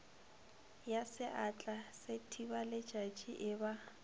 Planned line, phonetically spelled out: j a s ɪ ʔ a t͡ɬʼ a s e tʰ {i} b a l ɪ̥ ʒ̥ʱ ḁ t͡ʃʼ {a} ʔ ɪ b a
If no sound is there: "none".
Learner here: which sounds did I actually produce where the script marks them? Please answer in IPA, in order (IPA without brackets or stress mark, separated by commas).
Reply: i, i